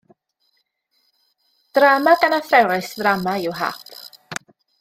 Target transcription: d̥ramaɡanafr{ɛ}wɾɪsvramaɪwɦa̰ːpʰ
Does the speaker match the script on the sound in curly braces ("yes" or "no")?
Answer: yes